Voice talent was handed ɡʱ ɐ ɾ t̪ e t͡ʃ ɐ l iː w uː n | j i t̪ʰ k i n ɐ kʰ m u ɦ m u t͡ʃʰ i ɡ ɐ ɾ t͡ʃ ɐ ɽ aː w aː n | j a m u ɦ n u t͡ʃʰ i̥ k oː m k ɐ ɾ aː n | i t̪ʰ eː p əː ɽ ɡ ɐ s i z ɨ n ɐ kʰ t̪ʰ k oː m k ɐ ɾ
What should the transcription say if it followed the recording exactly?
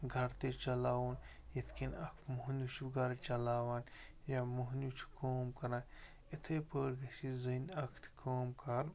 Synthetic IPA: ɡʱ ɐ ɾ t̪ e t͡ʃ ɐ l aː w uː n | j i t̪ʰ k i n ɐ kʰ m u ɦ n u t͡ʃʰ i ɡ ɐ ɾ t͡ʃ ɐ l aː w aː n | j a m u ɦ n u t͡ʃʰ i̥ k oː m k ɐ ɾ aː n | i t̪ʰ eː p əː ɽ ɡ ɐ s i z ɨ n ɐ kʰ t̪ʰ k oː m k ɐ ɾ

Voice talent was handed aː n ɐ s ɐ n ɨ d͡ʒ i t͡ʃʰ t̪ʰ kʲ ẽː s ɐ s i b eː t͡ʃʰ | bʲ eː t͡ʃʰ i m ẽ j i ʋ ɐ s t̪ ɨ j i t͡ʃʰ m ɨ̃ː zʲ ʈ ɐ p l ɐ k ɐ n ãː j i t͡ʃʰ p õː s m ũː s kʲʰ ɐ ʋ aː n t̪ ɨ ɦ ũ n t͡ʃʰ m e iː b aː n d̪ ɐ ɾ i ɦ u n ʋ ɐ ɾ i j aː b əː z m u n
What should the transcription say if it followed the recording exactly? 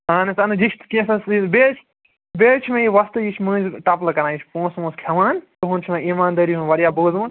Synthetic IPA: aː n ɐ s ɐ n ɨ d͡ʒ i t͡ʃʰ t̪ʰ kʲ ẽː s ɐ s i b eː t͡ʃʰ | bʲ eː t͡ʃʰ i m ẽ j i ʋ ɐ s t̪ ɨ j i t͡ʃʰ m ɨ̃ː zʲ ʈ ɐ p l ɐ k ɐ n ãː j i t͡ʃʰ p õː s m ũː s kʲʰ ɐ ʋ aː n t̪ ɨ ɦ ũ n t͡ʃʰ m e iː m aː n d̪ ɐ ɾ i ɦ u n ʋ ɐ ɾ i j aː b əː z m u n

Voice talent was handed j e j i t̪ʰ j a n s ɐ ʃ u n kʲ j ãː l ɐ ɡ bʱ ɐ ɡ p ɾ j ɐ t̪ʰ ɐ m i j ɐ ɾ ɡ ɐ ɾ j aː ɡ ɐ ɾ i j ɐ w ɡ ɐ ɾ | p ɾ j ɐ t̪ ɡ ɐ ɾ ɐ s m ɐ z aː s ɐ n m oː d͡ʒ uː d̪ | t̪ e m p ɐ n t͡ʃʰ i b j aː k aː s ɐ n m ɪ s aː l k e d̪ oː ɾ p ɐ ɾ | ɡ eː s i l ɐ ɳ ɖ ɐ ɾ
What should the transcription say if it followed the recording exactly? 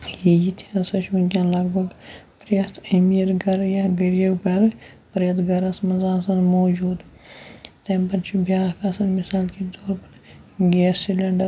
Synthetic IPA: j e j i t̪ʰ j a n s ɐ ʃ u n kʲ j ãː l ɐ ɡ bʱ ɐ ɡ p ɾ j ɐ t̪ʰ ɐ m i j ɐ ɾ ɡ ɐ ɾ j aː ɡ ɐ ɾ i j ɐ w ɡ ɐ ɾ | p ɾ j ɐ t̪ ɡ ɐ ɾ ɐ s m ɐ z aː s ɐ n m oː d͡ʒ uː d̪ | t̪ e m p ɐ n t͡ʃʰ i b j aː k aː s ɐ n m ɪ s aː l k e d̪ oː ɾ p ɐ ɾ | ɡ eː s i l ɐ ɳ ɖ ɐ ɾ

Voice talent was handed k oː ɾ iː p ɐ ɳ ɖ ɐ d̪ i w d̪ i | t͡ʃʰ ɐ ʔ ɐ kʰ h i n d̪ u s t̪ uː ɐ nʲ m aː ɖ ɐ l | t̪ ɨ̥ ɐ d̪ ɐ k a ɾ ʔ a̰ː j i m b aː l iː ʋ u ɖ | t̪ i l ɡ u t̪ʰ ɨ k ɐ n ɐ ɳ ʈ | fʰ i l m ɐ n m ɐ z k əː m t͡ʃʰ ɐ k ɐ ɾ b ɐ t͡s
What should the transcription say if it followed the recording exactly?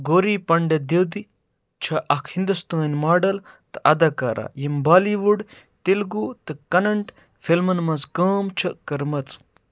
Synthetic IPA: ɡ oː ɾ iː p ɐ ɳ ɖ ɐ d̪ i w d̪ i | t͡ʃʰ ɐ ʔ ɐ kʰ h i n d̪ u s t̪ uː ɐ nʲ m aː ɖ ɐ l | t̪ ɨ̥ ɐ d̪ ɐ k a ɾ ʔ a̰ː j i m b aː l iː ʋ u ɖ | t̪ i l ɡ u t̪ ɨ k ɐ n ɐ ɳ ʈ | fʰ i l m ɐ n m ɐ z k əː m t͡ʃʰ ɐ k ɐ ɾ m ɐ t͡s

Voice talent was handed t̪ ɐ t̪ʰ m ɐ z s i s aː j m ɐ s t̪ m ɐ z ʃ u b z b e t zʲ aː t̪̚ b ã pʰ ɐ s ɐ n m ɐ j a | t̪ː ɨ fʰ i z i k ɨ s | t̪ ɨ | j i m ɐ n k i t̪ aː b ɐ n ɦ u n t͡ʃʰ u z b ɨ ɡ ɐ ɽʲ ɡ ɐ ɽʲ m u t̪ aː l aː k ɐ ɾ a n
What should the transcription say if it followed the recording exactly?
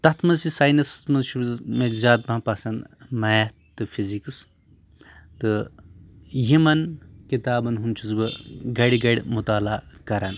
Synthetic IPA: t̪ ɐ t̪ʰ m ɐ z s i s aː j n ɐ s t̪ m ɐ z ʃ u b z m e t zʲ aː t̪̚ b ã p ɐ s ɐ n m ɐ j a | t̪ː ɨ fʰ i z i k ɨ s | t̪ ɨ | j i m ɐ n k i t̪ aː b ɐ n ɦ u n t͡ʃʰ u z b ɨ ɡ ɐ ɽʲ ɡ ɐ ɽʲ m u t̪ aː l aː k ɐ ɾ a n

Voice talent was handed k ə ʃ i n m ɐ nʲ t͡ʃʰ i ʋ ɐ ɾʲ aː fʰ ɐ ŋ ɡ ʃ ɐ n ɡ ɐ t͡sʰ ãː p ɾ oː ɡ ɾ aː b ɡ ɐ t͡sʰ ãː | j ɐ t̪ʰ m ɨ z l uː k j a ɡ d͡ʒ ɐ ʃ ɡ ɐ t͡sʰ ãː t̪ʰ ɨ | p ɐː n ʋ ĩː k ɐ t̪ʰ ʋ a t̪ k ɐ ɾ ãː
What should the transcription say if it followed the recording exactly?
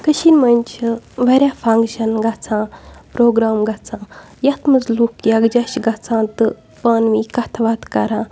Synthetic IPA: k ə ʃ i n m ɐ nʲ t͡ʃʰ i ʋ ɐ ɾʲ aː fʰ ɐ ŋ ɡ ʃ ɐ n ɡ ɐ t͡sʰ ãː p ɾ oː ɡ ɾ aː m ɡ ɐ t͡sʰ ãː | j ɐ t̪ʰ m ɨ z l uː k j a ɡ d͡ʒ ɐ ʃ ɡ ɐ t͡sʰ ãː t̪ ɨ | p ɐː n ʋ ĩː k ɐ t̪ʰ ʋ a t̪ k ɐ ɾ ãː

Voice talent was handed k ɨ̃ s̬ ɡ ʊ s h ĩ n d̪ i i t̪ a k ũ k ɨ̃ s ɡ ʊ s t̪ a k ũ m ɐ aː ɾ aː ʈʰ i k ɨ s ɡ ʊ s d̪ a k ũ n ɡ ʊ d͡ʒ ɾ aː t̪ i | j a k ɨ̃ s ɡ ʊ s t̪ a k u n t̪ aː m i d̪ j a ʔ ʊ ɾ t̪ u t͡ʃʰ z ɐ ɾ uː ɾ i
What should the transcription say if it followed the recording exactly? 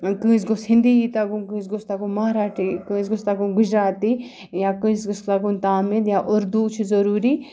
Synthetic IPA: k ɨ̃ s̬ ɡ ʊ s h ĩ n d̪ i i t̪ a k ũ k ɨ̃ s ɡ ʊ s t̪ a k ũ m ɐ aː ɾ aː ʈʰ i k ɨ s ɡ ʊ s t̪ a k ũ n ɡ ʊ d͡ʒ ɾ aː t̪ i | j a k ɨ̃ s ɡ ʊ s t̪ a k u n t̪ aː m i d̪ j a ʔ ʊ ɾ d̪ u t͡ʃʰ z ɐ ɾ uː ɾ i

